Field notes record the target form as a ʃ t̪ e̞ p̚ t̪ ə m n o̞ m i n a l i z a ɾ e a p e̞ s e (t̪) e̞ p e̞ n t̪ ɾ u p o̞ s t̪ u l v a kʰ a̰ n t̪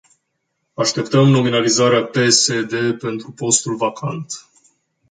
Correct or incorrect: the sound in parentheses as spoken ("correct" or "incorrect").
incorrect